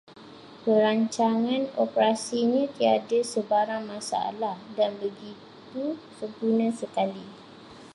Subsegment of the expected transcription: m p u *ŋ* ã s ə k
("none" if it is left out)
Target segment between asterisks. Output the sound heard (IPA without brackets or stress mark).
n